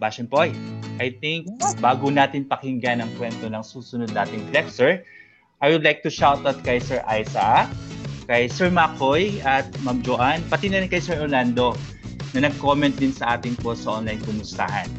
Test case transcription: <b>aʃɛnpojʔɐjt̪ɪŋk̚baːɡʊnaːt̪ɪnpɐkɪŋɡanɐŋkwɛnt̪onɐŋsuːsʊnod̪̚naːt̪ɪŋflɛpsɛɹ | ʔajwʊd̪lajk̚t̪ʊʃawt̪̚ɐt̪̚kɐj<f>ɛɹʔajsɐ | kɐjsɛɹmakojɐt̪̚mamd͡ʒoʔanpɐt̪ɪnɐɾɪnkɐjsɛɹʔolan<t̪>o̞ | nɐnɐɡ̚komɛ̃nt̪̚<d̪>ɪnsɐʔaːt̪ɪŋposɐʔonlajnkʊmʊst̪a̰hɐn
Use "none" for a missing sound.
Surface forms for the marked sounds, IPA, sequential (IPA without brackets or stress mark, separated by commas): b, s, d̪, d̪